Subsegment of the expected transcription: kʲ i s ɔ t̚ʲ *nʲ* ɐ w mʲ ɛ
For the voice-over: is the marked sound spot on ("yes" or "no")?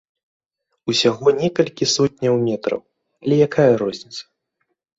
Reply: yes